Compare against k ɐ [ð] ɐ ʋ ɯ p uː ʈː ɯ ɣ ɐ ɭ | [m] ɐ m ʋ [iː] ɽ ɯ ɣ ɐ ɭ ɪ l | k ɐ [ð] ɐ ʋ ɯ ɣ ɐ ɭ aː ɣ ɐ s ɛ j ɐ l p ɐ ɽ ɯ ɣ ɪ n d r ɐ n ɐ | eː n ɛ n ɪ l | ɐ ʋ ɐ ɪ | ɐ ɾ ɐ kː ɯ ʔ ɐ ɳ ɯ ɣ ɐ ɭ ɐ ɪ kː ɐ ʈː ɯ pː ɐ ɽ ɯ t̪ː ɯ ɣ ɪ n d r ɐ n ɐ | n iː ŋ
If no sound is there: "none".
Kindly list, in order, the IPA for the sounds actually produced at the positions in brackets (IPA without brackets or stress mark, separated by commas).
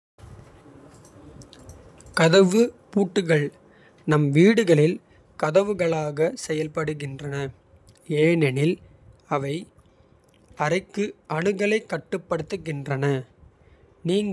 ð, n, iː, ð